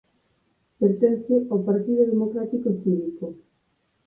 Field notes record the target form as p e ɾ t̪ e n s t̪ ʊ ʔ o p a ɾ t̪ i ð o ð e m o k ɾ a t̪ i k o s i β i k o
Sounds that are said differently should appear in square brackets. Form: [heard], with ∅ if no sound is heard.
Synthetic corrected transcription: p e ɾ t̪ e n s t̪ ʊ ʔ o p a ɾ t̪ i ð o ð e m o k ɾ a t̪ i k o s i β i k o